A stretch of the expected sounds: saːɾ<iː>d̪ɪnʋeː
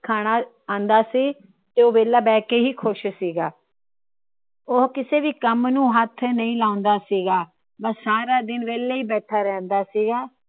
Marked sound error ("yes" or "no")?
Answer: yes